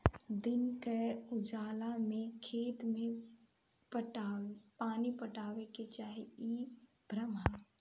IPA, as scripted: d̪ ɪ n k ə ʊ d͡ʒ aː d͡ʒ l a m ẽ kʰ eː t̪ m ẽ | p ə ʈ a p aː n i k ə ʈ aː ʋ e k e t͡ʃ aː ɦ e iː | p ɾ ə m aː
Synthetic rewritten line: d̪ ɪ n k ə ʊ d͡ʒ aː l a m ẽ kʰ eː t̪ m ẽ | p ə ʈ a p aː n i p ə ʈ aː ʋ e k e t͡ʃ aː ɦ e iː | b ɾ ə m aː